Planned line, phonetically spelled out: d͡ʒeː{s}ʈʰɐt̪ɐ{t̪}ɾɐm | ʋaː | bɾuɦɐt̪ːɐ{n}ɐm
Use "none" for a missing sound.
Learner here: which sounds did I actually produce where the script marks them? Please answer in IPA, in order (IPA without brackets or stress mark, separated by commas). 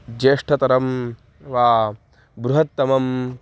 ʂ, none, m